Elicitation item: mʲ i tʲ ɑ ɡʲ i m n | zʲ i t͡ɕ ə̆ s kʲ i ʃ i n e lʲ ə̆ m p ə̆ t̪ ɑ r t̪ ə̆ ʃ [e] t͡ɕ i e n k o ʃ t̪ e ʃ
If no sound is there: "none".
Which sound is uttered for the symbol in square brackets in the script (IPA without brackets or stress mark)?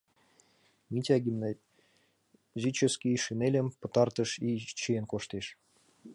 i